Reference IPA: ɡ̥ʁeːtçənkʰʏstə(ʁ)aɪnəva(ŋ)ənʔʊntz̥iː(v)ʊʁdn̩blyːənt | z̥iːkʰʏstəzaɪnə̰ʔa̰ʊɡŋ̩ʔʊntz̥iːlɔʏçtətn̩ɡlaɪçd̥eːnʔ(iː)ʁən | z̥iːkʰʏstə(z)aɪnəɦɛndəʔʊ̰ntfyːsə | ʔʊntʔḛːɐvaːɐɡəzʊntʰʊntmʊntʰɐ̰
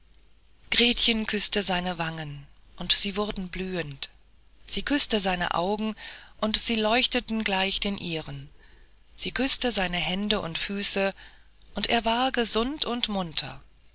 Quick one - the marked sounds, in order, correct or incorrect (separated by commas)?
incorrect, correct, correct, correct, correct